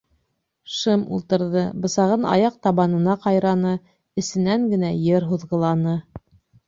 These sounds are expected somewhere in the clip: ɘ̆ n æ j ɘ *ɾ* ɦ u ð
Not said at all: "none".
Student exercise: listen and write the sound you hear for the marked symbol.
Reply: ɾ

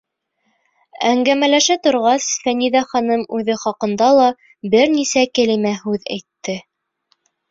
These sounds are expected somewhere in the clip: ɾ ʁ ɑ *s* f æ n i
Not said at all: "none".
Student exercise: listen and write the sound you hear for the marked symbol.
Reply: s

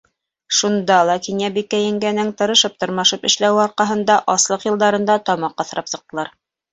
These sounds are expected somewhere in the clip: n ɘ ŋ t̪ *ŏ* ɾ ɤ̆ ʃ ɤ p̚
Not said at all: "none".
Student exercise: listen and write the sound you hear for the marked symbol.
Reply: ɤ̆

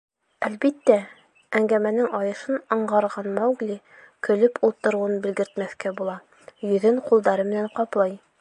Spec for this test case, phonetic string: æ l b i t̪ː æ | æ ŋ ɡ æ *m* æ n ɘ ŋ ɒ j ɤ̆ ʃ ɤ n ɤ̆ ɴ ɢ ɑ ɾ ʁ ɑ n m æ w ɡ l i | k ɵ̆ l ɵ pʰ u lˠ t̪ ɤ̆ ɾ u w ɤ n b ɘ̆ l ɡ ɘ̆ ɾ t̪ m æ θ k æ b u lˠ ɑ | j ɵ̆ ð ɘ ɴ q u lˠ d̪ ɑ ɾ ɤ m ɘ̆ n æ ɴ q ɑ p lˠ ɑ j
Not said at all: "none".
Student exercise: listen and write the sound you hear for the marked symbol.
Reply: m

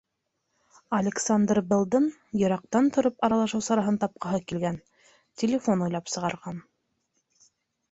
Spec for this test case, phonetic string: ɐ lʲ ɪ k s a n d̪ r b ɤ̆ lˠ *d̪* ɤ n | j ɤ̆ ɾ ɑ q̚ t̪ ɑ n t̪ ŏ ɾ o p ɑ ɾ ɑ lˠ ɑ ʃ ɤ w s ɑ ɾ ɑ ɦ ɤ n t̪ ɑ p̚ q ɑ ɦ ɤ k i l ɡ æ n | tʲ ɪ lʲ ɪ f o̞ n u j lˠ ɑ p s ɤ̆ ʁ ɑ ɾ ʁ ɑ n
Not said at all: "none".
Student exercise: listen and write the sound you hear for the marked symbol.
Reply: d̪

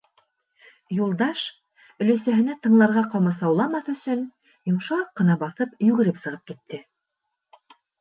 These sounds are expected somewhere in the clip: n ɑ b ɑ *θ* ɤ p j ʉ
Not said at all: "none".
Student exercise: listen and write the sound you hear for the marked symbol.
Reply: θ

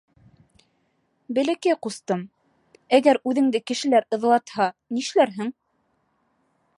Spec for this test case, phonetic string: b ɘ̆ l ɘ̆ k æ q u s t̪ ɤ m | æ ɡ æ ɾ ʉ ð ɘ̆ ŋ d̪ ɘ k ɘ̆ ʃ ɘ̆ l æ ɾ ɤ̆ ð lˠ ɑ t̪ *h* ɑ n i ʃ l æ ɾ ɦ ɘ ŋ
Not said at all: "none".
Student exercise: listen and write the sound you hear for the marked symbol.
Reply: h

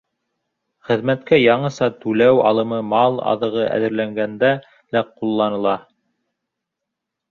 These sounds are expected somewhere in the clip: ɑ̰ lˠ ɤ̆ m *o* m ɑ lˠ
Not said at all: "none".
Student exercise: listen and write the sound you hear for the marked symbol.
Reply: ɤ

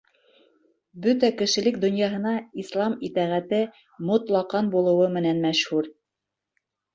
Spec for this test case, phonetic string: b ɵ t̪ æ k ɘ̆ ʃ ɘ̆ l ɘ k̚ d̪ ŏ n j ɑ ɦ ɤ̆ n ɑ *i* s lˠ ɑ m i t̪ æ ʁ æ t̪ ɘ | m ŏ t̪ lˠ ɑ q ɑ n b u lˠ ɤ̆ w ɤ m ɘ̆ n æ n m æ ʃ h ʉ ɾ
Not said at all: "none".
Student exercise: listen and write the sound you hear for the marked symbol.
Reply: i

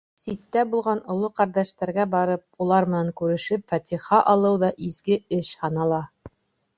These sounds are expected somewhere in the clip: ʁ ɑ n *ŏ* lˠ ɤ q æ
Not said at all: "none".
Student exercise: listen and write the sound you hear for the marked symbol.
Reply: ŏ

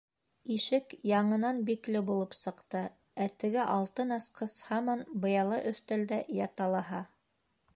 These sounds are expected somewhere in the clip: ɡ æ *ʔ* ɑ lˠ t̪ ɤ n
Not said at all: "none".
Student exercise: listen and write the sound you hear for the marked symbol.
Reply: ʔ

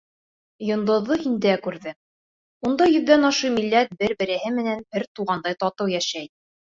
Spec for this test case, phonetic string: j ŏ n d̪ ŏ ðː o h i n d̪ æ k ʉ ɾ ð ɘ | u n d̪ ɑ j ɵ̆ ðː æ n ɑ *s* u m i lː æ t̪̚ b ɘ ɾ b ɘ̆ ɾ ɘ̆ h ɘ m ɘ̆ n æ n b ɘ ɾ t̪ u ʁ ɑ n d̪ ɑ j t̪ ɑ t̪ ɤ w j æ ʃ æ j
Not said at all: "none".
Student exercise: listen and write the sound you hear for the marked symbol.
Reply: ʃ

